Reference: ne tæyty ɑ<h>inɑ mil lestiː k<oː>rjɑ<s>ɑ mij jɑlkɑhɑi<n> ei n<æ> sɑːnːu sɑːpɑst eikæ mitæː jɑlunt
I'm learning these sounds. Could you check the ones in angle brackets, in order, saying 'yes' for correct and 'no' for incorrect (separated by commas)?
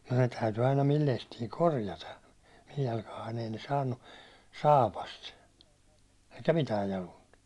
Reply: no, no, no, yes, no